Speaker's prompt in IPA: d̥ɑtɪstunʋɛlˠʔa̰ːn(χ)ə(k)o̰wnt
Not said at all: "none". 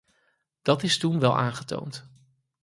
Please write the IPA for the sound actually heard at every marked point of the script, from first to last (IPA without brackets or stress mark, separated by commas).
χ, t